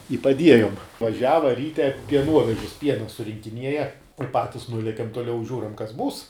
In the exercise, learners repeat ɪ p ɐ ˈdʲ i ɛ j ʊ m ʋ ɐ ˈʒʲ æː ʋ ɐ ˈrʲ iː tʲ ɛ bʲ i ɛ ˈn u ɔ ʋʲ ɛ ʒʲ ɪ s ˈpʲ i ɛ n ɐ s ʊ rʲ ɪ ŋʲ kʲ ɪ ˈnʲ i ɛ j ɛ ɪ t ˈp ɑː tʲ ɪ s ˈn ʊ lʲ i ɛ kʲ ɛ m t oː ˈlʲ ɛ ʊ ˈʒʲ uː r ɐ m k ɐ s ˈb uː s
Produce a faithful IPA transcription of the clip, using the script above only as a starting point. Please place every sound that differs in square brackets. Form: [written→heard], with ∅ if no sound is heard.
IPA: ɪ p ɐ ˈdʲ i ɛ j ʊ m ʋ ɐ ˈʒʲ æː ʋ ɐ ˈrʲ iː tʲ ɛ [bʲ→pʲ] i ɛ ˈn u ɔ ʋʲ ɛ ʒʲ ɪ s ˈpʲ i ɛ n ɐ s ʊ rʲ ɪ ŋʲ kʲ ɪ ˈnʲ i ɛ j ɛ ɪ [t→∅] ˈp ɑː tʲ ɪ s ˈn ʊ lʲ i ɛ kʲ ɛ m t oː ˈlʲ ɛ ʊ ˈʒʲ uː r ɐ m k ɐ s ˈb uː s